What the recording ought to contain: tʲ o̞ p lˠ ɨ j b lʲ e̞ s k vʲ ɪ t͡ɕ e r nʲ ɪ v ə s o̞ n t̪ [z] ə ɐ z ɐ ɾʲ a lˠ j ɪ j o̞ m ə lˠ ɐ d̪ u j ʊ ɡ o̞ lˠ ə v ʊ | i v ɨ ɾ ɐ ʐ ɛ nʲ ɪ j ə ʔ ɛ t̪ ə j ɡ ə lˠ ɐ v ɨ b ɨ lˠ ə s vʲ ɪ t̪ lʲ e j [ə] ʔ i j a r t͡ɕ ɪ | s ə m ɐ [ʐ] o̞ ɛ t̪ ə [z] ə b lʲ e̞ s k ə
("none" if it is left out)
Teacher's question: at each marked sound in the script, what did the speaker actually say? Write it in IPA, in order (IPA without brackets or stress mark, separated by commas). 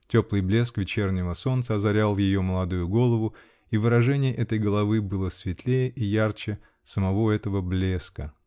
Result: s, ə, v, v